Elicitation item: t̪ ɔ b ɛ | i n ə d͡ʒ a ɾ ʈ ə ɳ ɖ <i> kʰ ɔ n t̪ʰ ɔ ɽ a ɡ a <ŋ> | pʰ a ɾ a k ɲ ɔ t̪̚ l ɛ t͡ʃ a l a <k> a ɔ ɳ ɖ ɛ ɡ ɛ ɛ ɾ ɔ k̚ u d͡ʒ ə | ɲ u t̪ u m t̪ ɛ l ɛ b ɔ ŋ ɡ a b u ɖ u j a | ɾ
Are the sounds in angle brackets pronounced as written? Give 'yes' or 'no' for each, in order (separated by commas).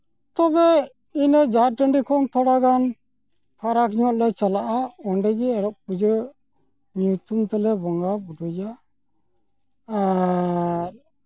yes, no, no